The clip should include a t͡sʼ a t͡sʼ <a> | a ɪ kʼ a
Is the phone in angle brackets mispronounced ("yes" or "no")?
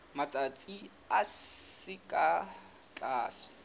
yes